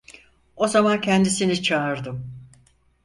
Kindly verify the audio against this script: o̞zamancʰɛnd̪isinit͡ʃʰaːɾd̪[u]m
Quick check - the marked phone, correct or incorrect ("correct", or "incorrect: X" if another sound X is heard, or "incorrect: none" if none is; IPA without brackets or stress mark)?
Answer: incorrect: ɯ